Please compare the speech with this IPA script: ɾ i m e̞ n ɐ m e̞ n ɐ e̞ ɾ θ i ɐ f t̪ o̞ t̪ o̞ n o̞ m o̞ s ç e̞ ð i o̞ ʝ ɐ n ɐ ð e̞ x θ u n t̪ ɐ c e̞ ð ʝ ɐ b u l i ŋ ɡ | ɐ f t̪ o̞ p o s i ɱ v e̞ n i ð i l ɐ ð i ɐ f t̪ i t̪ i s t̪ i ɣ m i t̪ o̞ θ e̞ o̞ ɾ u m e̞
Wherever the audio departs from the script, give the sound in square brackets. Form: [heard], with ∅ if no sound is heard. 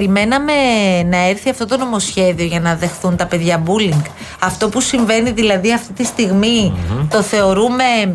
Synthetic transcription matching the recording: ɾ i m e̞ n ɐ m e̞ n ɐ e̞ ɾ θ i ɐ f t̪ o̞ t̪ o̞ n o̞ m o̞ s ç e̞ ð i o̞ ʝ ɐ n ɐ ð e̞ x θ u n t̪ ɐ [p] e̞ ð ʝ ɐ b u l i ŋ ɡ | ɐ f t̪ o̞ p [u] s i ɱ v e̞ n i ð i l ɐ ð i ɐ f t̪ i t̪ i s t̪ i ɣ m i t̪ o̞ θ e̞ o̞ ɾ u m e̞